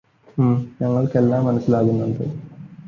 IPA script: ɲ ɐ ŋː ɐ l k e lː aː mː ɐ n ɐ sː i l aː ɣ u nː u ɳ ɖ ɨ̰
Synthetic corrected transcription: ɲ ɐ ŋː ɐ ɭ k e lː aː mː ɐ n ɐ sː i l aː ɣ u nː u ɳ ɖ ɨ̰

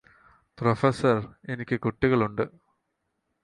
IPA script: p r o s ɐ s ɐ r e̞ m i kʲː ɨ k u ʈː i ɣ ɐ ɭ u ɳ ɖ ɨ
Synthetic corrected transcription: p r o f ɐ s ɐ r e̞ n i kʲː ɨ k u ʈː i ɣ ɐ ɭ u ɳ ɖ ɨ

